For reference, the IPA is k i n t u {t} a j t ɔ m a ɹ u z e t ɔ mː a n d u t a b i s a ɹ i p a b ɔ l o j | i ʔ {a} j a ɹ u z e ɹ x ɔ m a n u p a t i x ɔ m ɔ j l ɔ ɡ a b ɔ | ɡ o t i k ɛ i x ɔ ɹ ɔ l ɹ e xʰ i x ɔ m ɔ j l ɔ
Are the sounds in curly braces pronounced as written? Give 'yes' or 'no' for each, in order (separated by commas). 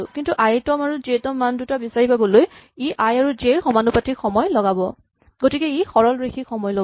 no, yes